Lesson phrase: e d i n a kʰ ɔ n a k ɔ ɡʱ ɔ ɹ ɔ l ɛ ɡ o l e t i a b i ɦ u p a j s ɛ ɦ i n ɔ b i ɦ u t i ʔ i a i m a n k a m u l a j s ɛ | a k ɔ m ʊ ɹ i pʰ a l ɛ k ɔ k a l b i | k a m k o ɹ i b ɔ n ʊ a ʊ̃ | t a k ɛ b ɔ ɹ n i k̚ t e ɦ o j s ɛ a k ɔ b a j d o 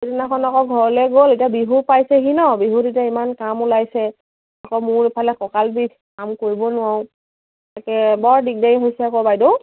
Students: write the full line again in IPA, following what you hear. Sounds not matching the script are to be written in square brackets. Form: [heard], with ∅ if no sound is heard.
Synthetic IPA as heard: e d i n a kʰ ɔ n a k ɔ ɡʱ ɔ ɹ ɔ l ɛ ɡ o l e t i a b i ɦ u p a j s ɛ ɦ i n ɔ b i ɦ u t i [t] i a i m a n k a m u l a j s ɛ | a k ɔ m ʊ ɹ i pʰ a l ɛ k ɔ k a l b i | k a m k o ɹ i b ɔ n ʊ a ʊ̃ | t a k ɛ b ɔ ɹ [d] i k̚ [d] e ɦ o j s ɛ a k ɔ b a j d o